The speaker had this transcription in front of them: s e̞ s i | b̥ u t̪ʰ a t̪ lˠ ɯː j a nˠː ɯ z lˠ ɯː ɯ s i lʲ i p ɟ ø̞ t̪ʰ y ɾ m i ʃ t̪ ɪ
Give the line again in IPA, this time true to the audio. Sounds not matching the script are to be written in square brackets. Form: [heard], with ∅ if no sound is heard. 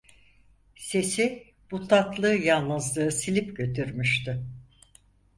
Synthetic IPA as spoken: s e̞ s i | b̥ u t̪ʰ a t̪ lˠ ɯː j a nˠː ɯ z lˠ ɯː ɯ s i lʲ i p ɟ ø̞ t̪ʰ y ɾ m [y] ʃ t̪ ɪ